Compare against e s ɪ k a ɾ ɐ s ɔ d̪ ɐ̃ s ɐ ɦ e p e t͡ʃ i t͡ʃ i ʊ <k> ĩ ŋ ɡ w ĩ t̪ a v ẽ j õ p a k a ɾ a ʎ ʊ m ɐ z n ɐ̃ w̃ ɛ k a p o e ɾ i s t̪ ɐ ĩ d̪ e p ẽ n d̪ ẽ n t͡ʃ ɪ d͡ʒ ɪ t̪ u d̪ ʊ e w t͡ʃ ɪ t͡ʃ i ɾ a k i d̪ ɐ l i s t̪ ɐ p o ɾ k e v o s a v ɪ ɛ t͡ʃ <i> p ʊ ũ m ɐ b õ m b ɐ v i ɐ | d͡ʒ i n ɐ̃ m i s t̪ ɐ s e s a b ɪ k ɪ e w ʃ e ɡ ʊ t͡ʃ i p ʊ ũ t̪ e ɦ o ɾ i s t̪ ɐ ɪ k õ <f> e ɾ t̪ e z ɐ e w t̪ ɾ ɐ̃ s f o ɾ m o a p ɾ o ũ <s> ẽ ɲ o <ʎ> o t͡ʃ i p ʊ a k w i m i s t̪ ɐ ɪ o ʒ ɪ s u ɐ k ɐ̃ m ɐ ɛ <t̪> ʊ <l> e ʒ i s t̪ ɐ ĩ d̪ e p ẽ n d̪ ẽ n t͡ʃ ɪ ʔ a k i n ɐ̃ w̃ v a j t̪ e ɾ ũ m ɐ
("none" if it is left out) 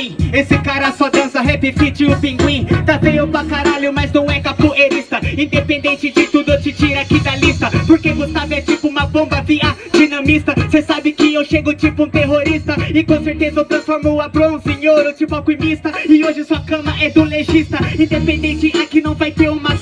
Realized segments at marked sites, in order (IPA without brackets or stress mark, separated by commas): p, i, s, s, ɾ, d̪, l